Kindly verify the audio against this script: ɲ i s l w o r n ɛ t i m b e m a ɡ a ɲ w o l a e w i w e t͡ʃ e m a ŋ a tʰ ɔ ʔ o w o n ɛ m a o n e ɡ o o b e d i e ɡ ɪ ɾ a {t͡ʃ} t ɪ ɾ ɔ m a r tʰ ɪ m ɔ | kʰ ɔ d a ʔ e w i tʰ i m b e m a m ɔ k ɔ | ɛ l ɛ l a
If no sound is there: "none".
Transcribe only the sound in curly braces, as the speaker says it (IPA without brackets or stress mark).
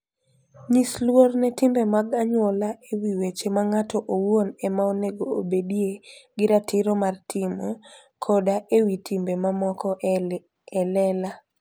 none